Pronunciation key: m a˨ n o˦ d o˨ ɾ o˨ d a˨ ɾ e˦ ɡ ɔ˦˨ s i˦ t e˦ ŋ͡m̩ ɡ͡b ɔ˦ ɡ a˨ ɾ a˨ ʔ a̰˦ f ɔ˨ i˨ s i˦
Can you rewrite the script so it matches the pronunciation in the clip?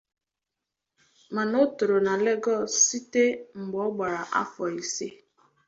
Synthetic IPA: m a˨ n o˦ t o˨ ɾ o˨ n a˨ l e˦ ɡ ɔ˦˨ s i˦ t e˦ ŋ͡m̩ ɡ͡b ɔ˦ ɡ͡b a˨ ɾ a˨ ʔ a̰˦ f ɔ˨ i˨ s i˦